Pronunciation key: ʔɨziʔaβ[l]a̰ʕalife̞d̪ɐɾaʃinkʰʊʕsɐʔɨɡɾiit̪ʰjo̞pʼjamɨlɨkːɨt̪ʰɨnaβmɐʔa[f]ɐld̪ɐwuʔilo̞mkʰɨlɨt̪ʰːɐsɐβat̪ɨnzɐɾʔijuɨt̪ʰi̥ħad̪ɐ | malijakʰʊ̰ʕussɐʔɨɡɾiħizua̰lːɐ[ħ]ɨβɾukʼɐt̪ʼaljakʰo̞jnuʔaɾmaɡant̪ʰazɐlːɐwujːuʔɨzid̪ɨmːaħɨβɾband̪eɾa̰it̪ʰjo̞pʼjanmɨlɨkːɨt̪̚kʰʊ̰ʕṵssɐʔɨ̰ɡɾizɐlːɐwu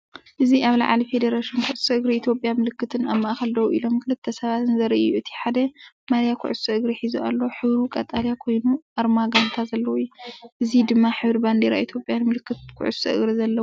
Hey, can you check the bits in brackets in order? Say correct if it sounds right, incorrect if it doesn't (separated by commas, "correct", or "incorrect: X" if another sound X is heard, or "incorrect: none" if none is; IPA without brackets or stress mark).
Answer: correct, incorrect: x, correct